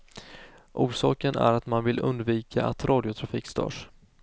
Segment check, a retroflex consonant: present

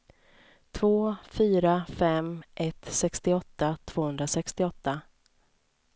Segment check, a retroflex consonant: absent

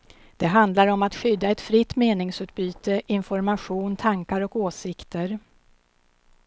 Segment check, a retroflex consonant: absent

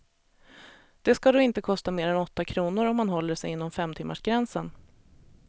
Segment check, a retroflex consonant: present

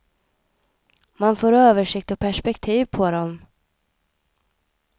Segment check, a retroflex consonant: present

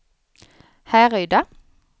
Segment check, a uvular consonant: present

